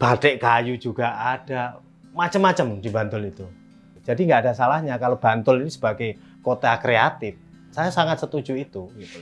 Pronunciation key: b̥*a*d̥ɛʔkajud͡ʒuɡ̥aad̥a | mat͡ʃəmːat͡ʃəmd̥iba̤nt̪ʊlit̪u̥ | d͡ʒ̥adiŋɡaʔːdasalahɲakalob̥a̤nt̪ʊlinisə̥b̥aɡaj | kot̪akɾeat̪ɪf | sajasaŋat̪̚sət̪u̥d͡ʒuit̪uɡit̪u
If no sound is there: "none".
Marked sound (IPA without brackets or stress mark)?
a